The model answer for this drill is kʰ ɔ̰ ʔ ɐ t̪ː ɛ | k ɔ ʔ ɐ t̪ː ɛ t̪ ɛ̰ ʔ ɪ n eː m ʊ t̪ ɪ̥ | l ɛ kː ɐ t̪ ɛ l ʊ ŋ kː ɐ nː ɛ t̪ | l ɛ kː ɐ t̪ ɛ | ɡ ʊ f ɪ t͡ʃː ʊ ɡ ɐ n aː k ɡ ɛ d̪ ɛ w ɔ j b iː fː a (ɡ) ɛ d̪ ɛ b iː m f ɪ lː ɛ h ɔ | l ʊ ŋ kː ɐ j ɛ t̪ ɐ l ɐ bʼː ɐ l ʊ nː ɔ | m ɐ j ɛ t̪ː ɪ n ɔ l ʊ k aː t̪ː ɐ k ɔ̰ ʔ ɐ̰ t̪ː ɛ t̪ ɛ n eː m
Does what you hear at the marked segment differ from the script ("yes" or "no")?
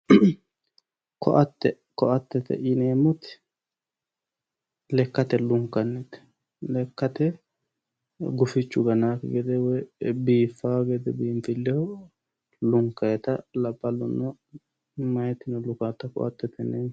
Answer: no